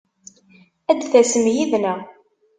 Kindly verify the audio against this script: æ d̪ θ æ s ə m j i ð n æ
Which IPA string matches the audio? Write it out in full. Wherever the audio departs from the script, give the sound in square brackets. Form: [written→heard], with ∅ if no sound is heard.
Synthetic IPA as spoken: æ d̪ θ æ s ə m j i ð n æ